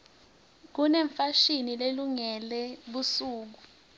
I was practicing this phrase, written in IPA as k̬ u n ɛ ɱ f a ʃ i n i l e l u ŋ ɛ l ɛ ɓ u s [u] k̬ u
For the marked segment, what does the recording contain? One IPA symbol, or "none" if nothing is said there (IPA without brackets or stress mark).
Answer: uː